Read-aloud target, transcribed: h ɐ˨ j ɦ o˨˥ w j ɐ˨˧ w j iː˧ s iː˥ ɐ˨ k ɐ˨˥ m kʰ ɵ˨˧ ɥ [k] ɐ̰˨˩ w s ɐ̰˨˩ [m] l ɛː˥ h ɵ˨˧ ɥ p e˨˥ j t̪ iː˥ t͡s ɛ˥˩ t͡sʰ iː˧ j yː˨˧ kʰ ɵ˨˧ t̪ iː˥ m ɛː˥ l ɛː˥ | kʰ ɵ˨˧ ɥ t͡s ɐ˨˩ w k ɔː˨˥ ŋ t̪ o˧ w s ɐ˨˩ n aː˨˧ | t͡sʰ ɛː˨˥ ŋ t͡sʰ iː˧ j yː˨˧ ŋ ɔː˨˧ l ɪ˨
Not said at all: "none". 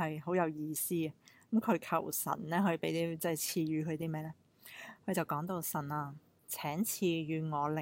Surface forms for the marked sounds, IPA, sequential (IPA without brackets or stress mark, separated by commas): kʰ, n